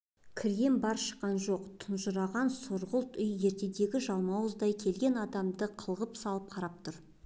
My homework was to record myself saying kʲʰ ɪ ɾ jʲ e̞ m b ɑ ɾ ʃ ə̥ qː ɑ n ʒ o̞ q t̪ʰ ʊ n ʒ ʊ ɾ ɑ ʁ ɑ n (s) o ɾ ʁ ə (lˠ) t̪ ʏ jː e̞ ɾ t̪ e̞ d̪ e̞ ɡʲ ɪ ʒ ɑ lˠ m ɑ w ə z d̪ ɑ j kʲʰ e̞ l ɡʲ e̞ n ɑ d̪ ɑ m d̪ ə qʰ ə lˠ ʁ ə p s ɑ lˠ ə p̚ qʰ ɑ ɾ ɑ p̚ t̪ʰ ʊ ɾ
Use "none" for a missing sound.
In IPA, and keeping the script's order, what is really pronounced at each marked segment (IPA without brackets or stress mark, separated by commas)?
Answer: s, lˠ